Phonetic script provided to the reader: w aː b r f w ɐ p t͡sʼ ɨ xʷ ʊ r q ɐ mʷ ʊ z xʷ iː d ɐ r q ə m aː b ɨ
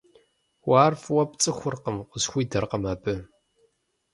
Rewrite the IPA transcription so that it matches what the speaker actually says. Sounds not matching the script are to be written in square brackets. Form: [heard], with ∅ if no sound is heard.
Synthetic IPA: w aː [∅] r f w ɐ p t͡sʼ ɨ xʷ ʊ r q [ə] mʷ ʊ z xʷ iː d ɐ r q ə m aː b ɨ